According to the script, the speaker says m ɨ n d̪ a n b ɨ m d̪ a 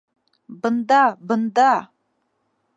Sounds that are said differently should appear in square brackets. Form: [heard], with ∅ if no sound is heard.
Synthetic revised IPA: [b] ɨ n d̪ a [∅] b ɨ [n] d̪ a